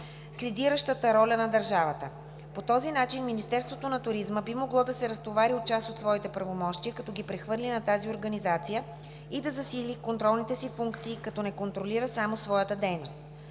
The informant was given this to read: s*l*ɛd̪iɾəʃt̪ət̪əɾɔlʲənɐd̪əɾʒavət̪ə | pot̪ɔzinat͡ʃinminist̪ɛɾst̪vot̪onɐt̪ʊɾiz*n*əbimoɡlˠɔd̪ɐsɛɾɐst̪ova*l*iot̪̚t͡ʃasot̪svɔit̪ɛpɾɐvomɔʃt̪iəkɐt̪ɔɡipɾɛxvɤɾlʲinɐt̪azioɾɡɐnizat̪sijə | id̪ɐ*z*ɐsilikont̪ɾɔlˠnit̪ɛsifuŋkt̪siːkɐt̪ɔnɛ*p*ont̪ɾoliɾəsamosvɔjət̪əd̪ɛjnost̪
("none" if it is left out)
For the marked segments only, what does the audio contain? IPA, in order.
l, m, ɾ, z, k

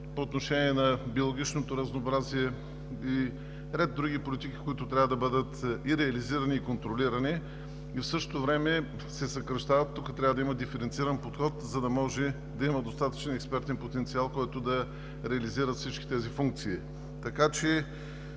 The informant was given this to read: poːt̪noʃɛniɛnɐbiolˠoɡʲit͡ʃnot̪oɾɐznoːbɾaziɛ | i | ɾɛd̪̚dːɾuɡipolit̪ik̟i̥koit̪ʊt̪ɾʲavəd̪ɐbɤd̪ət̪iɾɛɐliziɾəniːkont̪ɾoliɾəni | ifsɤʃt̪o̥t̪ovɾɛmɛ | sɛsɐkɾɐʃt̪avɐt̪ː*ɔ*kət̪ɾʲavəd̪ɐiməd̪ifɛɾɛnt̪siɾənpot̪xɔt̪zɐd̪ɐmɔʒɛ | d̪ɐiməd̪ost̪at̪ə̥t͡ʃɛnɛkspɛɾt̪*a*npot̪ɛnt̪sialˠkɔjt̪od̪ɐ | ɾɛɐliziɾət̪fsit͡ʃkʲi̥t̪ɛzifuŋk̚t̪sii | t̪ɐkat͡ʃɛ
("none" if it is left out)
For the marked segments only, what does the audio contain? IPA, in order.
u, ɛ

